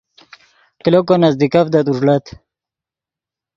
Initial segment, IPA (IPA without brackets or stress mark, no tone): k